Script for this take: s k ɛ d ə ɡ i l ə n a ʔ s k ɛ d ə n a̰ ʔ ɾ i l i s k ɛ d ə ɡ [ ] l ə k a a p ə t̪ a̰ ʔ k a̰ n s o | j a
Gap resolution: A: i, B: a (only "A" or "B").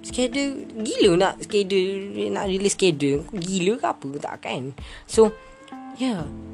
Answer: A